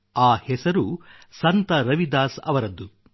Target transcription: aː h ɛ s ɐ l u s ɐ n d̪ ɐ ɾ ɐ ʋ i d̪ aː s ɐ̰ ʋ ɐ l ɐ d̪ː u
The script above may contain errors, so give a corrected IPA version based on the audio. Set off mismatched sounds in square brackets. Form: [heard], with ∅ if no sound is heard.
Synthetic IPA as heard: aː h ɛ s ɐ [ɾ] u s ɐ n [t̪] ɐ ɾ ɐ ʋ i d̪ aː s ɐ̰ ʋ ɐ [ɾ] ɐ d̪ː u